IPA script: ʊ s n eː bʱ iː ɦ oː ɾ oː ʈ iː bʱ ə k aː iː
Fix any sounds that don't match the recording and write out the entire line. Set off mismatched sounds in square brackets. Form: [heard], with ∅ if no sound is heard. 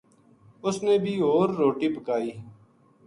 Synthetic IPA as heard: ʊ s n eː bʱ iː ɦ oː [ɾː] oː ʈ iː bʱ ə k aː iː